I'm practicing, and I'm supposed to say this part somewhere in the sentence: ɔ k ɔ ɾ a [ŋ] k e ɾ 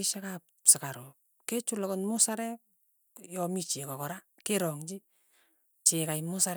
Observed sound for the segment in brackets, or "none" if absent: none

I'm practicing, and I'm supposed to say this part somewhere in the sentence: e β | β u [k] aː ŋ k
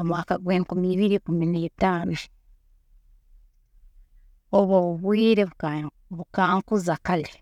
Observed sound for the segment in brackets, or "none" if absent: k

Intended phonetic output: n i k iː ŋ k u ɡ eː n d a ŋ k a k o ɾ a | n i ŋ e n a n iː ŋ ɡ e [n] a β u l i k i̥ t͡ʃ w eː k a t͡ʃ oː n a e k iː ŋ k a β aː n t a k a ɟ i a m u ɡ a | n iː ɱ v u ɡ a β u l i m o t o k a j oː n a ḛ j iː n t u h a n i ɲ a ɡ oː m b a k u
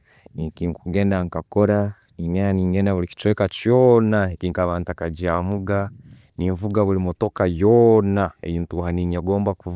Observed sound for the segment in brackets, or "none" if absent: n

